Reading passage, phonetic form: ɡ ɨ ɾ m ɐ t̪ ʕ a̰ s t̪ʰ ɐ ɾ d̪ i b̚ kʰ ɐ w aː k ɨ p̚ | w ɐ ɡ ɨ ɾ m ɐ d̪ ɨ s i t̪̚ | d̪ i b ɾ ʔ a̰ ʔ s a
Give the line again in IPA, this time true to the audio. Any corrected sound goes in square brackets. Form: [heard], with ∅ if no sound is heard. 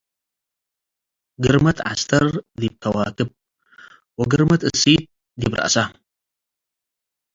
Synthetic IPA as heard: ɡ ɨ ɾ m ɐ t̪ ʕ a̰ s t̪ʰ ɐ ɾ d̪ i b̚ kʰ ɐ w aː k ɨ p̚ | w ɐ ɡ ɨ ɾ m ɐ [t̪] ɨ s i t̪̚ | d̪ i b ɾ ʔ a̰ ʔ s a

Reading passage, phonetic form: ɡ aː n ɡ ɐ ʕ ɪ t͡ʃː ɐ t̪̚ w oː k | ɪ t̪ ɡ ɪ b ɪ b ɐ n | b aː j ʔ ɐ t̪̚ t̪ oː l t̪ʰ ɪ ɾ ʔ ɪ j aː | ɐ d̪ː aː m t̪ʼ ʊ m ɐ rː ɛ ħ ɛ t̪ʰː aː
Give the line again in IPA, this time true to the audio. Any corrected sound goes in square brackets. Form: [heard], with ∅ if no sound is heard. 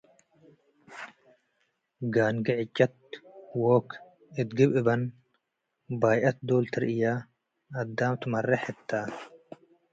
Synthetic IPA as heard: ɡ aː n ɡ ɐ ʕ ɪ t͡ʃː ɐ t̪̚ w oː k | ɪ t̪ ɡ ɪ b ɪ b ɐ n | b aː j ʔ ɐ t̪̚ [d̪] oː l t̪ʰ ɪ ɾ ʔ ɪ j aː | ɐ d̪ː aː m [t̪] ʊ m ɐ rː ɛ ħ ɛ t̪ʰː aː

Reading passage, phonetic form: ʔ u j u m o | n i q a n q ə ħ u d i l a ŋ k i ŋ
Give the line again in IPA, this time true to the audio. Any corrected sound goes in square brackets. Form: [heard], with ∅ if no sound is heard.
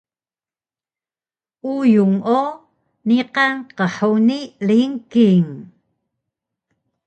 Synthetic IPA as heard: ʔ u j u [ŋ] o | n i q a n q ə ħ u [n] i l [i] ŋ k i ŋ

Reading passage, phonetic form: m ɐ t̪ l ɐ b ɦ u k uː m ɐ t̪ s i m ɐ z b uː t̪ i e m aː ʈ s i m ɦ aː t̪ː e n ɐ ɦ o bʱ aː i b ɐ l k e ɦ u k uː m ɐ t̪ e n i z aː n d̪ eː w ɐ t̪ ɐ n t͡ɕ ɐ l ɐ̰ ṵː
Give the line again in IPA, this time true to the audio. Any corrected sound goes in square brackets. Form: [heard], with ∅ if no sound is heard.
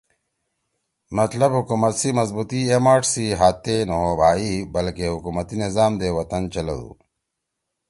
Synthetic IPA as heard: m ɐ t̪ l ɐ b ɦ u k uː m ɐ t̪ s i m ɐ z b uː t̪ i e m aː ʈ s i [∅] ɦ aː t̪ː e n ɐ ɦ o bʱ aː i b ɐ l k e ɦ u k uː m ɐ t̪ [i] n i z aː [m] d̪ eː w ɐ t̪ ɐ n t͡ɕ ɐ l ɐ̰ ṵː

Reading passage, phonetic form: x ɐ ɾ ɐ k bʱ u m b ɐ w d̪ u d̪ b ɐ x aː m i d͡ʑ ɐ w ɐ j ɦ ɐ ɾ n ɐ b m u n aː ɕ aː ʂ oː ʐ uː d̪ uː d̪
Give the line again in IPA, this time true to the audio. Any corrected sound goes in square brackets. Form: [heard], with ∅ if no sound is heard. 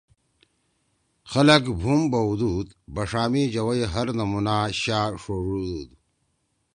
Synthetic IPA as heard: x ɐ [l] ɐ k bʱ u m b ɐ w d̪ u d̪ b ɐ [ʂ] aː m i d͡ʑ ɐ w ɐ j ɦ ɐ ɾ n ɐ [∅] m u n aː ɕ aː ʂ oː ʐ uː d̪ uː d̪

